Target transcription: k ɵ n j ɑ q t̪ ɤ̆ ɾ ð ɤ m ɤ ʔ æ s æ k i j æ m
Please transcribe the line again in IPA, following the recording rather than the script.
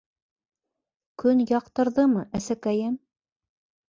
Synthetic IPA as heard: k ɵ n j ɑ q t̪ ɤ̆ ɾ ð ɤ m ɤ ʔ æ s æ k æ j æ m